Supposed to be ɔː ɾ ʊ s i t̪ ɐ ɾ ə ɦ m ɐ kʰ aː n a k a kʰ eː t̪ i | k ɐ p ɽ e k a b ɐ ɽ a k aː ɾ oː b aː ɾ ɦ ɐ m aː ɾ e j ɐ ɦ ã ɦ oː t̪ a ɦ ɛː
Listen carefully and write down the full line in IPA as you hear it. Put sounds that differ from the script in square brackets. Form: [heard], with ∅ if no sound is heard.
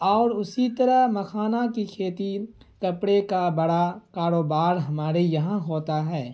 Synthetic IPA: ɔː ɾ ʊ s i t̪ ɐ ɾ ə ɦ m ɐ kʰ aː n a k [i] kʰ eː t̪ i | k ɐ p ɽ e k a b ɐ ɽ a k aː ɾ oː b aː ɾ ɦ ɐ m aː ɾ e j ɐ ɦ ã ɦ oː t̪ a ɦ ɛː

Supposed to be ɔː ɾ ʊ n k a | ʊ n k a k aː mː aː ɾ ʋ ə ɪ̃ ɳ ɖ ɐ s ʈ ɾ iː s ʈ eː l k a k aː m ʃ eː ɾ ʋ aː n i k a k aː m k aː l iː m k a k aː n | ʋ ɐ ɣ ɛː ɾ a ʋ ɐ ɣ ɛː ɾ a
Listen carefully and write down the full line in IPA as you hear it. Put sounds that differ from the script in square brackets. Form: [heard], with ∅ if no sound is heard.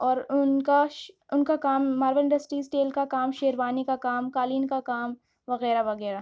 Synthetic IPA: ɔː ɾ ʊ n k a | ʊ n k a k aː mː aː ɾ ʋ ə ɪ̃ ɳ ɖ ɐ s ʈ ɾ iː s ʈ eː l k a k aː m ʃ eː ɾ ʋ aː n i k a k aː m k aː l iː [n] k a k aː [m] | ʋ ɐ ɣ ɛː ɾ a ʋ ɐ ɣ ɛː ɾ a

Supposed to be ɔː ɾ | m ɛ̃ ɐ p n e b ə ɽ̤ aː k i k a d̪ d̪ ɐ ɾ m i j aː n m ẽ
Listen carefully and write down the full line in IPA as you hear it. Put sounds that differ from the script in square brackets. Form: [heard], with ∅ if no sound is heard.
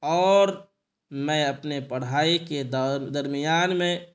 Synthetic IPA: ɔː ɾ | m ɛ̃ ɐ p n e [p] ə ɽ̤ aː [∅] i k [e] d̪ d̪ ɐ ɾ m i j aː n m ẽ

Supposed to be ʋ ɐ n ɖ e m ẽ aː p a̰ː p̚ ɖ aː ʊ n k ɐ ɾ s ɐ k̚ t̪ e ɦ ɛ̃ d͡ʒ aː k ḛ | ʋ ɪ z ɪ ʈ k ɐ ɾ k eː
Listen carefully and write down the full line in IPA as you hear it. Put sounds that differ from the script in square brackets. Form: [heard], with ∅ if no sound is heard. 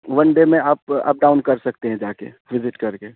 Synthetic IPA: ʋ ɐ n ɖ e m ẽ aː p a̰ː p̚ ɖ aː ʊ n k ɐ ɾ s ɐ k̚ t̪ e ɦ ɛ̃ d͡ʒ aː k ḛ | ʋ ɪ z ɪ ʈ k ɐ ɾ k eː

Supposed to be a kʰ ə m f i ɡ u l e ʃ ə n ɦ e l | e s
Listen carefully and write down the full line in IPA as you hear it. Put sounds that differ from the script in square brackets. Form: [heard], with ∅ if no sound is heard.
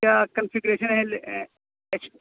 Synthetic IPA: a [k] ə [n] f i ɡ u [ɾ] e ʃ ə n ɦ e l | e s

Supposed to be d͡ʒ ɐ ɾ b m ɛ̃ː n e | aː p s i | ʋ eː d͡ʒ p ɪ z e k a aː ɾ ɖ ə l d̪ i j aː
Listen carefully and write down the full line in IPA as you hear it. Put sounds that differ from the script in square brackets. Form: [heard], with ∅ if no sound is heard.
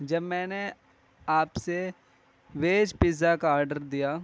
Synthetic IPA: d͡ʒ ɐ [∅] b m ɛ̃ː n e | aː p s [e] | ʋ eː d͡ʒ p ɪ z [a] k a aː ɾ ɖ ə [ɾ] d̪ i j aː

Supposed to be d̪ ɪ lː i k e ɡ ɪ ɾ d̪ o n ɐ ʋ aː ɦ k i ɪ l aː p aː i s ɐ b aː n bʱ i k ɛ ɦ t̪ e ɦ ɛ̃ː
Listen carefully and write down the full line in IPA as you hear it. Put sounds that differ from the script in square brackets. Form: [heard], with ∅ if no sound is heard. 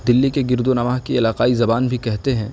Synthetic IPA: d̪ ɪ lː i k e ɡ ɪ ɾ d̪ o n ɐ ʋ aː ɦ k i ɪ l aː [q] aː i [z] ɐ b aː n bʱ i k ɛ ɦ t̪ e ɦ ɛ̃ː

